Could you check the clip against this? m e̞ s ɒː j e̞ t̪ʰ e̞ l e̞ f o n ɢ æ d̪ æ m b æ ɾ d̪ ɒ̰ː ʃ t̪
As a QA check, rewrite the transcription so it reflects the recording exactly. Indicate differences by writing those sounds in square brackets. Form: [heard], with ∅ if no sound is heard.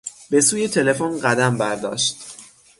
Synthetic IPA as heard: [b] e̞ s [uː] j e̞ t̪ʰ e̞ l e̞ f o n ɢ æ d̪ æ m b æ ɾ d̪ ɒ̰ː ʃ t̪